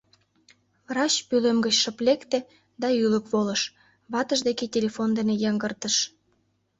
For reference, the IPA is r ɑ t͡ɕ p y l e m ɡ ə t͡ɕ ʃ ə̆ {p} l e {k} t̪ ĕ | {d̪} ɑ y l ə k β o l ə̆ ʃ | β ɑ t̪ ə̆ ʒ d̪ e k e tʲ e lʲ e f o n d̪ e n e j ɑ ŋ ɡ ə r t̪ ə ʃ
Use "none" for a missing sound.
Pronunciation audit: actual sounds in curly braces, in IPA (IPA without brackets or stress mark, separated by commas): p, k, d̪